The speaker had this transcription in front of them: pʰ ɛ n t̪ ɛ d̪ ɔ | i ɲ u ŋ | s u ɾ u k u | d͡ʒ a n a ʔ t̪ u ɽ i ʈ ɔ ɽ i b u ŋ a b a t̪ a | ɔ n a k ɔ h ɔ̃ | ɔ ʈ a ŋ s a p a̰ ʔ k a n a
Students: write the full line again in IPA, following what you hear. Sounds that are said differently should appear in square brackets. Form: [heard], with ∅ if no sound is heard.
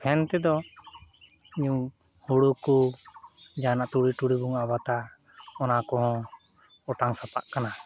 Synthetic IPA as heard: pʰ ɛ n t̪ ɛ d̪ ɔ | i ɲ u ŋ | [h] u [ɽ] u k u | d͡ʒ a n a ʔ t̪ u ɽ i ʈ [u] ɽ i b u ŋ a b a t̪ a | ɔ n a k ɔ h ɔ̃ | ɔ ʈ a ŋ s a p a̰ ʔ k a n a